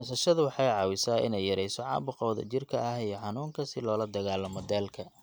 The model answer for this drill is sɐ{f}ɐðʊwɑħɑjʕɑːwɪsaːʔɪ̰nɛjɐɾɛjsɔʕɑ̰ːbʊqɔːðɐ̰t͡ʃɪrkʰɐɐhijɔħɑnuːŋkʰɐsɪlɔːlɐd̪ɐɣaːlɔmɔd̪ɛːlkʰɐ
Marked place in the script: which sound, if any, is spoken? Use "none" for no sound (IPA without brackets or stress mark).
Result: ʃ